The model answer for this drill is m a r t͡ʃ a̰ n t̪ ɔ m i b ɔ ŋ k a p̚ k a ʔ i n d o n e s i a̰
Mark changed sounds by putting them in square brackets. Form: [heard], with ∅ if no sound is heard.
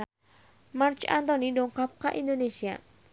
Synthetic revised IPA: m a r t͡ʃ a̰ n t̪ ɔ [n] i [d] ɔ ŋ k a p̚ k a ʔ i n d o n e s i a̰